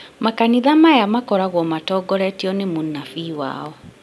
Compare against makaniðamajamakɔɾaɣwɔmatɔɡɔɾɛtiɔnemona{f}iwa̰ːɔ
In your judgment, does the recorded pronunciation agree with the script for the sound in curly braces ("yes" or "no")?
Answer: yes